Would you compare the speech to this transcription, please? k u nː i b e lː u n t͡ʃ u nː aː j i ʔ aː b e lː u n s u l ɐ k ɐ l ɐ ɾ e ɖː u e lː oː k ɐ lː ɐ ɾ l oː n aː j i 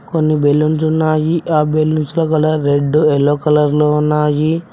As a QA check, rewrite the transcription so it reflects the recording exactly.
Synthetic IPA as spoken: k o nː i b e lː u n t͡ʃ u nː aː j i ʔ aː b e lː u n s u l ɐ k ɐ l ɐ ɾ e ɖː u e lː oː k ɐ l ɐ ɾ l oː n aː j i